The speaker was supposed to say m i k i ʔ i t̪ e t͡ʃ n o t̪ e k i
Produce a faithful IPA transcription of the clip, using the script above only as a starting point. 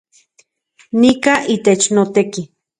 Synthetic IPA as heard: n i k a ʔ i t̪ e t͡ʃ n o t̪ e k i